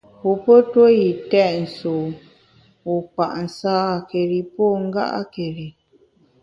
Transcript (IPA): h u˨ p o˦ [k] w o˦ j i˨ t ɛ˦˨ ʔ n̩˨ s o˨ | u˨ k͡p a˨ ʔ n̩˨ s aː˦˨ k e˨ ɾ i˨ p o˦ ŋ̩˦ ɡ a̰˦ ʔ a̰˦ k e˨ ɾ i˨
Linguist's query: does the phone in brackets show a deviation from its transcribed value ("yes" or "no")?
yes